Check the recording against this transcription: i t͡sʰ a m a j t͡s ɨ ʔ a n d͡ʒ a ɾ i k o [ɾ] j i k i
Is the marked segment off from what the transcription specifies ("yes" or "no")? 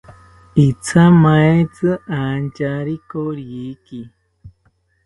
no